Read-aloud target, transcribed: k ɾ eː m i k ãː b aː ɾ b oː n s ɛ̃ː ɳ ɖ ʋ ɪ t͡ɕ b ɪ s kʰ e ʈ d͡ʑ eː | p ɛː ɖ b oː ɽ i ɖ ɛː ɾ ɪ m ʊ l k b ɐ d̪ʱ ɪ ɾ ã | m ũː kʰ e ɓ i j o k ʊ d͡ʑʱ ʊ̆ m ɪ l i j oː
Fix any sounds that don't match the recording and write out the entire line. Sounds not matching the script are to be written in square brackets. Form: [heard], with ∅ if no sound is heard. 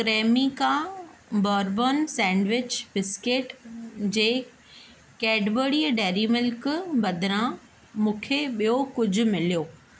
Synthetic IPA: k ɾ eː m i k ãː b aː ɾ b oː n s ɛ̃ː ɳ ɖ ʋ ɪ t͡ɕ b ɪ s [k] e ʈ d͡ʑ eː | [k] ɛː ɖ b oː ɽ i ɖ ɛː ɾ [i] m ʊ l k b ɐ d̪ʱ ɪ ɾ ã | m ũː kʰ e ɓ i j o k ʊ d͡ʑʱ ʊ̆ m ɪ l i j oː